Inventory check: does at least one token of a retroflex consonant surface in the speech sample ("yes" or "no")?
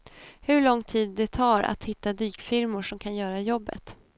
yes